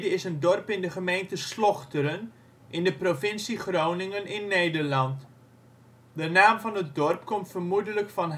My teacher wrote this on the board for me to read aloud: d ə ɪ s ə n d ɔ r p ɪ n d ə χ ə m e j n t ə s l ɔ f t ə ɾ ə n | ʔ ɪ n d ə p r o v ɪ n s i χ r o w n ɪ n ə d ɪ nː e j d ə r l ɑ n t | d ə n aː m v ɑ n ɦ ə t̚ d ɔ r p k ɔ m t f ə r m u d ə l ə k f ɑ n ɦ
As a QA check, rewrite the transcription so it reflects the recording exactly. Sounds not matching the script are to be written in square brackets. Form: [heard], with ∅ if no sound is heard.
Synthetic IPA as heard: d ə ɪ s ə n d ɔ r p ɪ n d ə χ ə m e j n t ə s l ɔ [χ] t ə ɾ ə n | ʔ ɪ n d ə p r o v ɪ n s i χ r o w n ɪ [ŋ] ə [n] ɪ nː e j d ə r l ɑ n t | d ə n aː m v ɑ n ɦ ə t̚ d ɔ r p k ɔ m t f ə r m u d ə l ə k f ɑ n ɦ